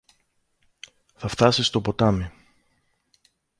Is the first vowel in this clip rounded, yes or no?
no